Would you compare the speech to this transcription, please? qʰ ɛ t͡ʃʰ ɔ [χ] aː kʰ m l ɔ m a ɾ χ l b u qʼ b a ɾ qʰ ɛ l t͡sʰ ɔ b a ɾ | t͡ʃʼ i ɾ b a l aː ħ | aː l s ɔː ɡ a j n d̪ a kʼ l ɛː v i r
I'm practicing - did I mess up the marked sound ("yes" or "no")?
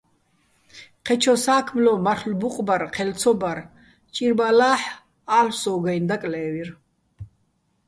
yes